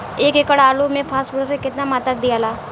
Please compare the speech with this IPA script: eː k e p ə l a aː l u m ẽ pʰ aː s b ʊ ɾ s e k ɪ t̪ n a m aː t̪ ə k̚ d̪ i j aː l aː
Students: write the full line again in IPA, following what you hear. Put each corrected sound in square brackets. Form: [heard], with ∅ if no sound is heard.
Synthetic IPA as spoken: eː k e [k] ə [ɽ] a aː l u m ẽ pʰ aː s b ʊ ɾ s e k ɪ t̪ n a m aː t̪ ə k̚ d̪ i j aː l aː